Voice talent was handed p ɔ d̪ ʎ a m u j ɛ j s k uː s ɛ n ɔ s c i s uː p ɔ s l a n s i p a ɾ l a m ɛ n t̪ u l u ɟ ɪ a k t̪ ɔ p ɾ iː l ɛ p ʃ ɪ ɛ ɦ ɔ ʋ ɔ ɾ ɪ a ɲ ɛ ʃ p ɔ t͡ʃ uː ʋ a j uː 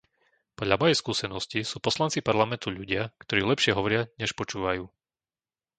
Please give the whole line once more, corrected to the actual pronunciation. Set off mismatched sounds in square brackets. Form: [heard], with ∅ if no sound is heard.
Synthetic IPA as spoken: p ɔ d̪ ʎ a m [ɔ] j ɛ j s k uː s ɛ n ɔ s c i s uː p ɔ s l a n [t͡s] i p a ɾ l a m ɛ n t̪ u [ʎ] u ɟ ɪ a k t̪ ɔ [∅] ɾ iː l ɛ p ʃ ɪ ɛ ɦ ɔ ʋ ɔ ɾ ɪ a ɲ ɛ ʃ p ɔ t͡ʃ uː ʋ a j uː